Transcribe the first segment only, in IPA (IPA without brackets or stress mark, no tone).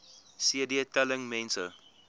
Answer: s